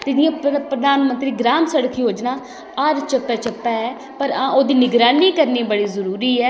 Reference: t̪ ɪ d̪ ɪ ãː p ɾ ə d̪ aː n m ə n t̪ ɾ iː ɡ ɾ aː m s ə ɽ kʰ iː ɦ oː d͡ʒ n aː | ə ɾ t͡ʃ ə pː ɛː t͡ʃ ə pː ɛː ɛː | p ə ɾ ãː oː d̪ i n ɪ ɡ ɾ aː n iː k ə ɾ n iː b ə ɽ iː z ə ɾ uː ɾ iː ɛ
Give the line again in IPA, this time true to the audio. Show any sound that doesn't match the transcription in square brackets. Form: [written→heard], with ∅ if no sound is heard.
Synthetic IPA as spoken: t̪ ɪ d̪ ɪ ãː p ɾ ə d̪ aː n m ə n t̪ ɾ iː ɡ ɾ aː m s ə ɽ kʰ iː ɦ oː d͡ʒ n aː | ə ɾ t͡ʃ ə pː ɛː t͡ʃ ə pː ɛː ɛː | p ə ɾ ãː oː d̪ [i→iː] n ɪ ɡ ɾ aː n iː k ə ɾ n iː b ə ɽ iː z ə ɾ uː ɾ iː [ɛ→ɛː]